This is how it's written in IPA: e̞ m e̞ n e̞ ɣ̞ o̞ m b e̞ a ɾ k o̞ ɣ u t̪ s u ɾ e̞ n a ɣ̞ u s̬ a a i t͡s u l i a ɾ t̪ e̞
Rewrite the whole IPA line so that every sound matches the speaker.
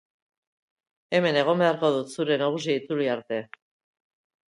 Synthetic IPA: e̞ m e̞ n e̞ ɣ̞ o̞ m b e̞ a ɾ k o̞ ð u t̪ s u ɾ e̞ n a ɣ̞ u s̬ i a i t͡s u l i a ɾ t̪ e̞